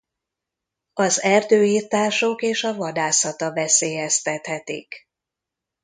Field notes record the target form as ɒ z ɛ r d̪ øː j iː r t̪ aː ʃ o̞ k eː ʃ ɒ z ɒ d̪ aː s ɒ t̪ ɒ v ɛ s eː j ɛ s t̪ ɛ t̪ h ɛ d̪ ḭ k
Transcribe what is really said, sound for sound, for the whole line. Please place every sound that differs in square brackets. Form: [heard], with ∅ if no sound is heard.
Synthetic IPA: ɒ z ɛ r d̪ øː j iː r t̪ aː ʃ o̞ k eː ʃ ɒ [v] ɒ d̪ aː s ɒ t̪ ɒ v ɛ s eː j ɛ s t̪ ɛ t̪ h ɛ [t̪] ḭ k